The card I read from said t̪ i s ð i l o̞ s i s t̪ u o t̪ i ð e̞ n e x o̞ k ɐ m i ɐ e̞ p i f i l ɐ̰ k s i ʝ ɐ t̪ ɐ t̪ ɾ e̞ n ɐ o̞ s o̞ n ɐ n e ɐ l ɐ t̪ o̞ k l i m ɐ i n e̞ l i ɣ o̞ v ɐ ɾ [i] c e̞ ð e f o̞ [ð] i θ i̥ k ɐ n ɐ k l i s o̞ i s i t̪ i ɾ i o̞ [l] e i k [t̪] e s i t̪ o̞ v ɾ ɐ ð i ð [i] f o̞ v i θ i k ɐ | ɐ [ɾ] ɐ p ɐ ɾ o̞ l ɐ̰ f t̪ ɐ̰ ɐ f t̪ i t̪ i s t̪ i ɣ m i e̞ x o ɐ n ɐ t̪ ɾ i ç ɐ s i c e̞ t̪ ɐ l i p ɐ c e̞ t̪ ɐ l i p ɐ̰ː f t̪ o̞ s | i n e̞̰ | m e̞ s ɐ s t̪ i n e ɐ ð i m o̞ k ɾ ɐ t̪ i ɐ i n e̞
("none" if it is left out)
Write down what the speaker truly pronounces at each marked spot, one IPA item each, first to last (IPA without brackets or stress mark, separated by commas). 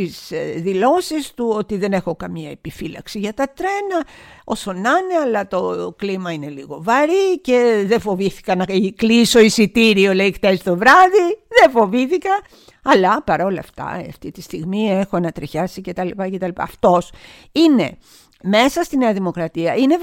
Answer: i, v, l, t̪, e, l